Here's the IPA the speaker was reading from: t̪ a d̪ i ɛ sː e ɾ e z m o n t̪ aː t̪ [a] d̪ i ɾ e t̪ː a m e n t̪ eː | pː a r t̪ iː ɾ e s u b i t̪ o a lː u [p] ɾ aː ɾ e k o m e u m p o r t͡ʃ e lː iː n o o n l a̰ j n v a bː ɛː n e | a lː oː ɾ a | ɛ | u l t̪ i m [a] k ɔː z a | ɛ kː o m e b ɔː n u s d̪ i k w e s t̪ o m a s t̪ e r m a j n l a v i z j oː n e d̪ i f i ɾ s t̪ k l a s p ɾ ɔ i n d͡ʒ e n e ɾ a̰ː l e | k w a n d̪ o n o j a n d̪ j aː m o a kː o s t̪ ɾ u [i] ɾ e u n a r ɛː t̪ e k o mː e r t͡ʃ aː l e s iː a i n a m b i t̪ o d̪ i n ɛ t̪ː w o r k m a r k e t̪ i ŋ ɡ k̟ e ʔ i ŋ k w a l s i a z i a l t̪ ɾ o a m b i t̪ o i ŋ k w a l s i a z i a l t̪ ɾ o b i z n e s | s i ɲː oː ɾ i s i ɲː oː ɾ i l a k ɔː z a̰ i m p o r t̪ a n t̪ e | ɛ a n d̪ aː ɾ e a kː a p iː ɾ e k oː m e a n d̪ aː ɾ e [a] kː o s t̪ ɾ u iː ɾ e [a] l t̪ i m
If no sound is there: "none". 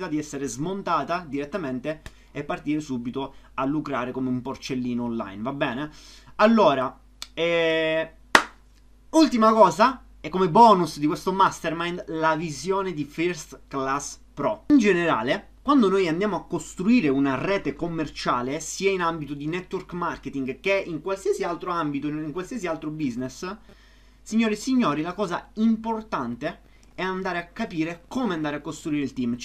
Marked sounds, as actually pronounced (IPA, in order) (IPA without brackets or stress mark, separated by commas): a, k, a, iː, a, i